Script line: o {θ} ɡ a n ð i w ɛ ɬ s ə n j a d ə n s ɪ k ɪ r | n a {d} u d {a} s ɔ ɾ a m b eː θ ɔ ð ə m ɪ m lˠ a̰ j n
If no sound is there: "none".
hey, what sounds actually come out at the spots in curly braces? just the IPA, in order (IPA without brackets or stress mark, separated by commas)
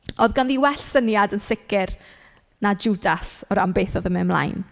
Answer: ð, d͡ʒ, a